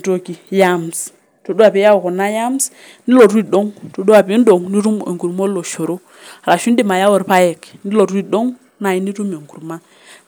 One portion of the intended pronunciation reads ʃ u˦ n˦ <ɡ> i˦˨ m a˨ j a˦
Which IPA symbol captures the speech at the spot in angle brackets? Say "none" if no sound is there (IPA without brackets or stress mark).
d